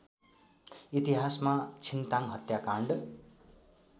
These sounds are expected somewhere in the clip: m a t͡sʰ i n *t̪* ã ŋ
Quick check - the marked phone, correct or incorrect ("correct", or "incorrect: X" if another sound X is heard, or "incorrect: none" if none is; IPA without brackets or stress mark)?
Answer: correct